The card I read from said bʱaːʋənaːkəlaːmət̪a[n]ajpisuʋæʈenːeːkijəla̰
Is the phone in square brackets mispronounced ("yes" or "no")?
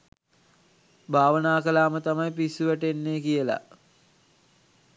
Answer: yes